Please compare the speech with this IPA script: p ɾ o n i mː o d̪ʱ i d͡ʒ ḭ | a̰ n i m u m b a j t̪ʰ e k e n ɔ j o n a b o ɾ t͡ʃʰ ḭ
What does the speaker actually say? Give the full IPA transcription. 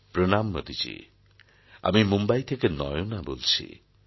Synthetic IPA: p ɾ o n a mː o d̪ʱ i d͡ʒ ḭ | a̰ m i m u m b a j t̪ʰ e k e n ɔ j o n a b o l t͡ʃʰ ḭ